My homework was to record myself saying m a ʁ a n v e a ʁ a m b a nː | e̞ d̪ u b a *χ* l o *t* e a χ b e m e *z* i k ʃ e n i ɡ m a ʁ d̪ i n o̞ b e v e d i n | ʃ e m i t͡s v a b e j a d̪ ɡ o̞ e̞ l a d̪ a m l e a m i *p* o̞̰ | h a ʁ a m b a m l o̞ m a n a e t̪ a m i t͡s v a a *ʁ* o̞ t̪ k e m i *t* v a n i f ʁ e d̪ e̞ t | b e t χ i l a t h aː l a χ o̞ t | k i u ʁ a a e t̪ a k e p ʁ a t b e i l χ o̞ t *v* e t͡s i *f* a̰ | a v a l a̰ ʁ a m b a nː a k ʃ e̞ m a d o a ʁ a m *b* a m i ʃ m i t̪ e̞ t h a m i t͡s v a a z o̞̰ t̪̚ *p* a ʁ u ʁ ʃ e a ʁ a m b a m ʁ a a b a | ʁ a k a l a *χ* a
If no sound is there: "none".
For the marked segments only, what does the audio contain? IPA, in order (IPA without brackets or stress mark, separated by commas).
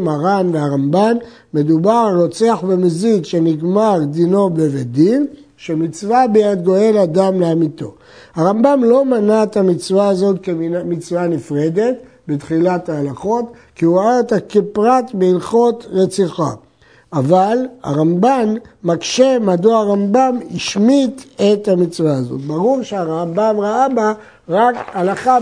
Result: ʁ, t͡s, z, t, z, t͡s, ʁ, χ, b, b, χ